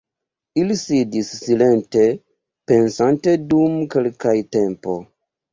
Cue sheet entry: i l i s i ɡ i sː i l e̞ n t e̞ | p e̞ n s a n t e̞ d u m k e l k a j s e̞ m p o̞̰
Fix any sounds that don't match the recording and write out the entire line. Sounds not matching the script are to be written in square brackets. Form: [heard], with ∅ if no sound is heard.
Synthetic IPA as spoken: i l i s i [d] i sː i l e̞ n t e̞ | p e̞ n s a n t e̞ d u m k e l k a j [t] e̞ m p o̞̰